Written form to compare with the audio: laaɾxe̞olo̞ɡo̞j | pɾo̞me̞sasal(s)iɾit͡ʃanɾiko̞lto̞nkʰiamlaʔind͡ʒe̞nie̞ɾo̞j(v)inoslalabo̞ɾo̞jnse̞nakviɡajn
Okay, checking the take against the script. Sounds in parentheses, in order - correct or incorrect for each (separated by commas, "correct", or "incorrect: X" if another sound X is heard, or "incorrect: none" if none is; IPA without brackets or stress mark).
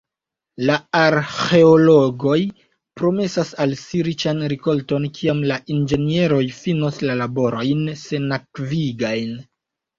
correct, incorrect: f